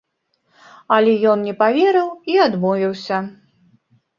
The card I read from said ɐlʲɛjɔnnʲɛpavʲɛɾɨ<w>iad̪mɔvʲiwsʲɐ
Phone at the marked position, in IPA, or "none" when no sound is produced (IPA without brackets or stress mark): w